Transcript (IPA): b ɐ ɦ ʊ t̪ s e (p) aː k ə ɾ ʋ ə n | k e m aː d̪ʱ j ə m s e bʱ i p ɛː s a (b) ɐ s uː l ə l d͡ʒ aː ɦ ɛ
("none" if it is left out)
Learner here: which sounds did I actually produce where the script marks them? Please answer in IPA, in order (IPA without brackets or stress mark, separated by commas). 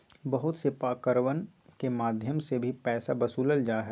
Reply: p, b